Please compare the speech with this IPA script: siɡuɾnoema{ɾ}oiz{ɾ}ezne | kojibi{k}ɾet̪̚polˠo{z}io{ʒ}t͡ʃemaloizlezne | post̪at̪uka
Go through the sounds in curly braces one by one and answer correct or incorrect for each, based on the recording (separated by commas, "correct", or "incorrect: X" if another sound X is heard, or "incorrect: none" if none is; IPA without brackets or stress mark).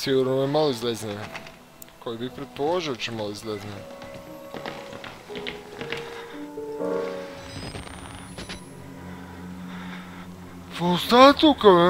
incorrect: l, incorrect: l, incorrect: p, incorrect: ʒ, incorrect: none